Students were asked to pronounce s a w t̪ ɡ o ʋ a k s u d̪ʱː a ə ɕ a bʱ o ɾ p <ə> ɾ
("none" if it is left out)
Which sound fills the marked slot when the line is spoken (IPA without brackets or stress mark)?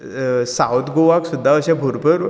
ə